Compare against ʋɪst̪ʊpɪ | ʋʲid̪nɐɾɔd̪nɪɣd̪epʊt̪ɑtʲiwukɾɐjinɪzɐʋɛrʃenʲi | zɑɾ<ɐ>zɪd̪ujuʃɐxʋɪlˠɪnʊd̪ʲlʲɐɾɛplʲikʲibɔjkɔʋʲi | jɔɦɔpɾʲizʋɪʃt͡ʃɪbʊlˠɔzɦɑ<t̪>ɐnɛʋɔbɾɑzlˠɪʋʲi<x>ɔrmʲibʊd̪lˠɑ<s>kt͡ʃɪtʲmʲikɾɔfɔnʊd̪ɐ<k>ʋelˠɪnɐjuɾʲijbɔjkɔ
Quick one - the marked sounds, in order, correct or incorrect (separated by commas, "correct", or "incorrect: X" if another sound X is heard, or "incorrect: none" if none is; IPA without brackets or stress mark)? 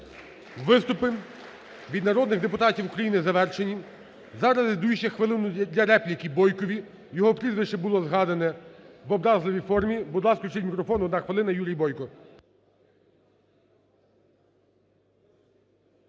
correct, incorrect: d̪, incorrect: f, correct, incorrect: x